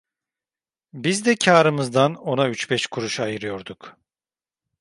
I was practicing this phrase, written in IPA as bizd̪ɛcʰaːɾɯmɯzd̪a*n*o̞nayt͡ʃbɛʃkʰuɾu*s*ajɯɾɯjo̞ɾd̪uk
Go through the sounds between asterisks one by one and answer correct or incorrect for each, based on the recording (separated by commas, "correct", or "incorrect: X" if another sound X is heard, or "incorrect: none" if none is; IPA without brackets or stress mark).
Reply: correct, incorrect: ʃ